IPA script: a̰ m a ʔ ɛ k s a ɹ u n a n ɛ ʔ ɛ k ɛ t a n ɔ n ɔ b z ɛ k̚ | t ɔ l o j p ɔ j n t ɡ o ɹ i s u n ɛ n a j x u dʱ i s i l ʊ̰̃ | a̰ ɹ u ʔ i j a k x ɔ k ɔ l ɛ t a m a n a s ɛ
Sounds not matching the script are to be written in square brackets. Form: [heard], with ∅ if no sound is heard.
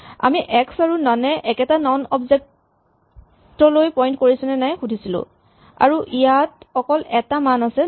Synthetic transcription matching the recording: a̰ m [i] ʔ ɛ k s a ɹ u n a n ɛ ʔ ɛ k ɛ t a n ɔ n ɔ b z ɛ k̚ | t ɔ l o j p ɔ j n t [k] o ɹ i s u n ɛ n a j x u dʱ i s i l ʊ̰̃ | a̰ ɹ u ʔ i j a [t] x ɔ k ɔ l ɛ t a m a n a s ɛ